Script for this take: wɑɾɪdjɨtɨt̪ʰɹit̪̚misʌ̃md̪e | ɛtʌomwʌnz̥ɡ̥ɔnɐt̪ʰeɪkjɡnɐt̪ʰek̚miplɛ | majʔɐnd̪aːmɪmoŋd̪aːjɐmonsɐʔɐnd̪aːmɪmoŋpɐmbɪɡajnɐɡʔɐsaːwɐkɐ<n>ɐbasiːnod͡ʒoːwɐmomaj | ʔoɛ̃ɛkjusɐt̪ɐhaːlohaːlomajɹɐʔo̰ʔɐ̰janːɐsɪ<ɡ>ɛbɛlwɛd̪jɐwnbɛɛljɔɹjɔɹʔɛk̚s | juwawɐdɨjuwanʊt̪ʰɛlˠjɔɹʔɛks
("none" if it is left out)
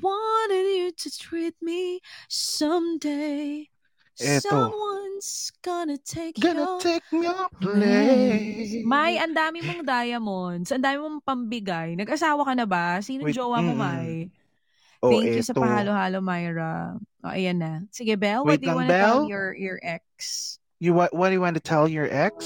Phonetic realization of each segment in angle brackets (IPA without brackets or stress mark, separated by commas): n, ɡ